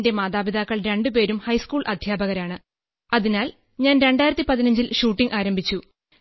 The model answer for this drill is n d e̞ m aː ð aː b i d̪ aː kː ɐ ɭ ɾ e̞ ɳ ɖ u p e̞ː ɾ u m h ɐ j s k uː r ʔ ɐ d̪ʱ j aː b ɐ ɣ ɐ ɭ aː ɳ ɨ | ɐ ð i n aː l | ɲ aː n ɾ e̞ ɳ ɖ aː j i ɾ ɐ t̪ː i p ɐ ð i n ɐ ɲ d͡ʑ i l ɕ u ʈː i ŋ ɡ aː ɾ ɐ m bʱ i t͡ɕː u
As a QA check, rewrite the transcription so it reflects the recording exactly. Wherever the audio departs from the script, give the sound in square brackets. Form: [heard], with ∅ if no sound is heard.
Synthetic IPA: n d e̞ m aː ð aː b i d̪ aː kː ɐ ɭ ɾ e̞ ɳ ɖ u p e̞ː ɾ u m h ɐ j s k uː [ɭ] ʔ ɐ d̪ʱ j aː b ɐ ɣ ɐ [ɾ] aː ɳ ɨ | ɐ ð i n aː l | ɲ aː n ɾ e̞ ɳ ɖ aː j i ɾ ɐ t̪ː i p ɐ ð i n ɐ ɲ d͡ʑ i l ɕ [uː] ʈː i ŋ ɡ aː ɾ ɐ m bʱ i t͡ɕː u